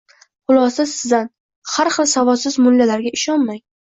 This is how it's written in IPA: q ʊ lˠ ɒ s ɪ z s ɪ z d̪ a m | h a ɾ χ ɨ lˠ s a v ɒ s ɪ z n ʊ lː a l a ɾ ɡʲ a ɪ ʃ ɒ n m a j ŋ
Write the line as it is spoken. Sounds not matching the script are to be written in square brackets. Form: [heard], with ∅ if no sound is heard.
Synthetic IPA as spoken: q ʊ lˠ ɒ s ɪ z s ɪ z d̪ a [n] | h a ɾ χ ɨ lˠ s a v ɒ s ɪ z [m] ʊ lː a l a ɾ ɡʲ a ɪ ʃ ɒ n m a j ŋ